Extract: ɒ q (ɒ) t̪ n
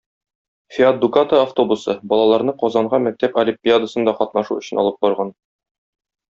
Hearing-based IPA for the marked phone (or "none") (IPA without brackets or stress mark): ɒ